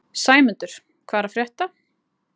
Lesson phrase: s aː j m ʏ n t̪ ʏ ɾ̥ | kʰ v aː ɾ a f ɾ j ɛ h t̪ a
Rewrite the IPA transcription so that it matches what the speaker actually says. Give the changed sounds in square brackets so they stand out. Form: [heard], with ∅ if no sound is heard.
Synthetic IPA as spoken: s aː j m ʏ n t̪ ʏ ɾ̥ | kʰ v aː ɾ a f ɾ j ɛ h t̪ a